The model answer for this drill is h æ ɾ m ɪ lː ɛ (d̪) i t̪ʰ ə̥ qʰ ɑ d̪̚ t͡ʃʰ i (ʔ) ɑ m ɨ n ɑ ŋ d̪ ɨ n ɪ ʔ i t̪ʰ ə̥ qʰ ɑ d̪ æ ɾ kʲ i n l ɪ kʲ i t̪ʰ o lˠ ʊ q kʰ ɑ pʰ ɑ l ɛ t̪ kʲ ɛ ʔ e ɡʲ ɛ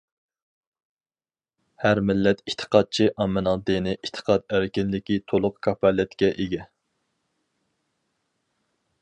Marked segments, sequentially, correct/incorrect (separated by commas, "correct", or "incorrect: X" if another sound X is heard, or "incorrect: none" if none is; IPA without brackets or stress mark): incorrect: t̪, correct